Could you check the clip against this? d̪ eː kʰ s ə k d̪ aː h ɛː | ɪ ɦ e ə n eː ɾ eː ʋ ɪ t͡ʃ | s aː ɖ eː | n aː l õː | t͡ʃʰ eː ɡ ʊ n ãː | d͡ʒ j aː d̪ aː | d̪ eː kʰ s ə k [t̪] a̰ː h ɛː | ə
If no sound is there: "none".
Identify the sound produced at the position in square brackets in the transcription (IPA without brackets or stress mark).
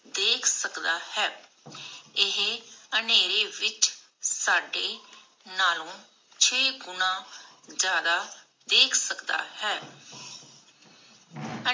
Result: d̪